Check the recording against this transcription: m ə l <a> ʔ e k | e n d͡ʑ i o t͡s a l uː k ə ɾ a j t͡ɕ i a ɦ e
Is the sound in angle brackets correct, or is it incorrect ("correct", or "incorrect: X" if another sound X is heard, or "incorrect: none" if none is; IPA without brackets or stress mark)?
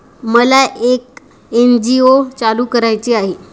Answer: correct